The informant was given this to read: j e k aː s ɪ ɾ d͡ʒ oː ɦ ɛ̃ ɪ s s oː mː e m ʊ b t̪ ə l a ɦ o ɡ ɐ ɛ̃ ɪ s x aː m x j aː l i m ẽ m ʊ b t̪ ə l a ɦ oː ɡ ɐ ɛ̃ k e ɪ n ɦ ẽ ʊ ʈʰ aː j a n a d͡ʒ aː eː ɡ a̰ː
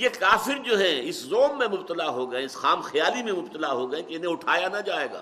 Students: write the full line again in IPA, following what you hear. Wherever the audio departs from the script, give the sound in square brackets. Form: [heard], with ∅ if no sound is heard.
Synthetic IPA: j e k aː [f] ɪ ɾ d͡ʒ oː ɦ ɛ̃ ɪ s [z] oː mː [ẽ] m ʊ b t̪ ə l a ɦ o ɡ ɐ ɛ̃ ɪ s x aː m x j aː l i m ẽ m ʊ b t̪ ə l a ɦ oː ɡ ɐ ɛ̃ k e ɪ n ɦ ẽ ʊ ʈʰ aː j a n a d͡ʒ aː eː ɡ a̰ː